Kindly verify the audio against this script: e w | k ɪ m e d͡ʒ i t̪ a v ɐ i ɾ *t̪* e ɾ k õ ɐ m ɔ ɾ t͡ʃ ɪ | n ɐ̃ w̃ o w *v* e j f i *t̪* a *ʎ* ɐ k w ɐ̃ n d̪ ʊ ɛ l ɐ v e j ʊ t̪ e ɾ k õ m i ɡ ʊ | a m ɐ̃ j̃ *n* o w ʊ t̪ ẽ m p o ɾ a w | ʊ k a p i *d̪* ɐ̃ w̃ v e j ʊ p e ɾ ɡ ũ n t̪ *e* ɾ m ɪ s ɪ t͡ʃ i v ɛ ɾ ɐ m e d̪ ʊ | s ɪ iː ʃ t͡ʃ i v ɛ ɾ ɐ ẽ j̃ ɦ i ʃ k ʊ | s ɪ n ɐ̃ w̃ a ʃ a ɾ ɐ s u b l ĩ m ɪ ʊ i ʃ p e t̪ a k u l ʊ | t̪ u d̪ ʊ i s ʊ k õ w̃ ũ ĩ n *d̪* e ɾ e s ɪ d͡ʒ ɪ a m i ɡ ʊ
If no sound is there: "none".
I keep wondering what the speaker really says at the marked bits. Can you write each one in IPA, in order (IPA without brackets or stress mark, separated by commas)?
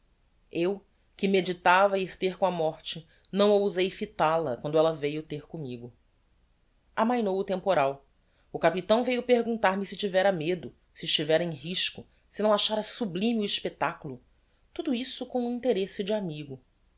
t̪, z, t̪, l, n, t̪, a, t̪